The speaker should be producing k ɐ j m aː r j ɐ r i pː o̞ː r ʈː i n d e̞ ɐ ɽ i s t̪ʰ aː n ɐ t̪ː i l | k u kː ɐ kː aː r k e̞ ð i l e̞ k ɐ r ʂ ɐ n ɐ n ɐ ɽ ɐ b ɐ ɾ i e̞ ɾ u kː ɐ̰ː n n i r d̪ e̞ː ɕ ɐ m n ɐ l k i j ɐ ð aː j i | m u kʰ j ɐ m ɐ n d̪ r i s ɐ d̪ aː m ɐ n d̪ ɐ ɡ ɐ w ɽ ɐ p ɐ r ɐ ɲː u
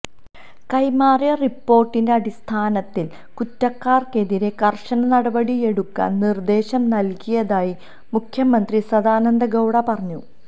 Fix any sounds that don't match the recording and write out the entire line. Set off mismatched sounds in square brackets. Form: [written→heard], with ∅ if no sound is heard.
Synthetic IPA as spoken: k ɐ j m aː r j ɐ r i pː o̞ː r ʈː i n d e̞ ɐ ɽ i s t̪ʰ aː n ɐ t̪ː i l | k u [kː→tː] ɐ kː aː r k e̞ ð i [l→ɾ] e̞ k ɐ r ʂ ɐ n ɐ n ɐ ɽ ɐ b ɐ [ɾ→ɽ] i e̞ [ɾ→ɽ] u kː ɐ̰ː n n i r d̪ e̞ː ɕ ɐ m n ɐ l k i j ɐ ð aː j i | m u kʰ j ɐ m ɐ n d̪ r i s ɐ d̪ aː [m→n] ɐ n d̪ ɐ ɡ ɐ w ɽ ɐ p ɐ r ɐ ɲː u